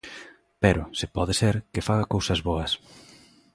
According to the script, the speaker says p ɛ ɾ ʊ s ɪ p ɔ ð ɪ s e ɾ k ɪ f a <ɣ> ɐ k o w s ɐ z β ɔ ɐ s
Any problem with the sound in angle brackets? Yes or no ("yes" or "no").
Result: no